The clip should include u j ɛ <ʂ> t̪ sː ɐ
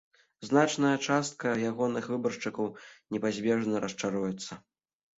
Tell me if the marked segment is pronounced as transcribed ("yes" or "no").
no